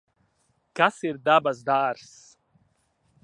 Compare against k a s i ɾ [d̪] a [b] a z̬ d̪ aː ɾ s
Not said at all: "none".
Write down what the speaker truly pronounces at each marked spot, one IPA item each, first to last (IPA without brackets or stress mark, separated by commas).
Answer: d̪, b